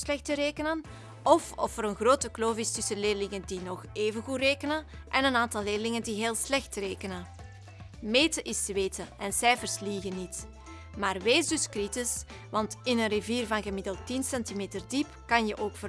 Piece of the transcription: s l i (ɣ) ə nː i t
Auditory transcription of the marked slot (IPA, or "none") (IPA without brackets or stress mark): ɣ